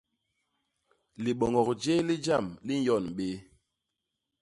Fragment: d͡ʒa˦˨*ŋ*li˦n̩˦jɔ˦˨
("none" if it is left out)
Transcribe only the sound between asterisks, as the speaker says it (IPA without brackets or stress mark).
m